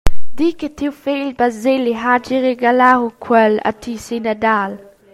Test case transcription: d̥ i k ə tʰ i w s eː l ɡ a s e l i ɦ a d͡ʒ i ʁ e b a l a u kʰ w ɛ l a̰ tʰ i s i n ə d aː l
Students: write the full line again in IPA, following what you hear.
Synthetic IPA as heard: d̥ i k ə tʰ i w f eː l b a z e l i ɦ a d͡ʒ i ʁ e ɡ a l a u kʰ w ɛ l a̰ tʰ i s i n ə d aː l